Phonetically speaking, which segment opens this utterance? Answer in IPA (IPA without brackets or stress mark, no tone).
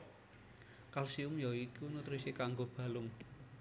k